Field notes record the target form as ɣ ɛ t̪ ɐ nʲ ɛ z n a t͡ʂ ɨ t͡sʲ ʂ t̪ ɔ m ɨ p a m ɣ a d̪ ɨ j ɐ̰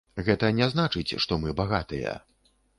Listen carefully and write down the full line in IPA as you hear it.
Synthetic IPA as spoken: ɣ ɛ t̪ ɐ nʲ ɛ z n a t͡ʂ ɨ t͡sʲ ʂ t̪ ɔ m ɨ b a ɣ a t̪ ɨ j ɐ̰